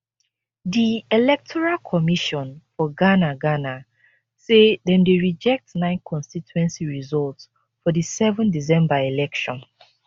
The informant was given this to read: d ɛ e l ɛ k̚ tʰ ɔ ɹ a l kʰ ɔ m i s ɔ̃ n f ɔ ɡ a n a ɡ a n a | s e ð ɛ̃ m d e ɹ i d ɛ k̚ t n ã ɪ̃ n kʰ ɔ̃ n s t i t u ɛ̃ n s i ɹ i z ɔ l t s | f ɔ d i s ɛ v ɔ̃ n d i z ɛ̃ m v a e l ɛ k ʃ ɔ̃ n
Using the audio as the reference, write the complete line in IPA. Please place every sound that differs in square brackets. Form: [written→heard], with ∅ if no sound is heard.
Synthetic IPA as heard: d [ɛ→i] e l ɛ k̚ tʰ ɔ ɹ a l kʰ ɔ m i [s→ʃ] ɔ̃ n f ɔ ɡ a n a ɡ a n a | s e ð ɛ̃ m d e ɹ i [d→d͡ʒ] ɛ k̚ t n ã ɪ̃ n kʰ ɔ̃ n s t i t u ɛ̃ n s i ɹ i z ɔ l t s | f ɔ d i s ɛ v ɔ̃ n d i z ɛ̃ m [v→b] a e l ɛ k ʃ ɔ̃ n